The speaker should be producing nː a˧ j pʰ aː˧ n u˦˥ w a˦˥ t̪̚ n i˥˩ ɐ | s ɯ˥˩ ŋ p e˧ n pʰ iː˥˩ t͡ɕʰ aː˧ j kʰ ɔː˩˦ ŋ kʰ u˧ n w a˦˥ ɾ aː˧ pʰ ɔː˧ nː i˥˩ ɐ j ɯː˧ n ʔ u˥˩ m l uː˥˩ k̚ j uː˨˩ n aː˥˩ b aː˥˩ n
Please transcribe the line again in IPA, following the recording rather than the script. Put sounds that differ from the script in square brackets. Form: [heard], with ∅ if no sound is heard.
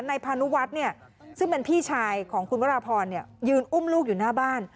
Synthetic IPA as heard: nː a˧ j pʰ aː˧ n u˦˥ w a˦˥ t̪̚ n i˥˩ ɐ | s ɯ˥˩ ŋ p e˧ n pʰ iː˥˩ t͡ɕʰ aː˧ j kʰ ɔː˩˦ ŋ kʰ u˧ n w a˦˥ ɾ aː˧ pʰ ɔː˧ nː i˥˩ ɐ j ɯː˧ n ʔ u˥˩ m l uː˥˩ k̚ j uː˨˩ n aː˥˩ b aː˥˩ n